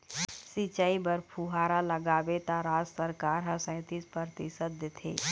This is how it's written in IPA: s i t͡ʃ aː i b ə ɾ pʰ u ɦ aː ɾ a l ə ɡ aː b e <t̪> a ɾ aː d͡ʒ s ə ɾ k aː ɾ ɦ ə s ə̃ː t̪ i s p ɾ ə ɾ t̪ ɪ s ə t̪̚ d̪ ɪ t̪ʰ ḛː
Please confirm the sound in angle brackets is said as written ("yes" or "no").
yes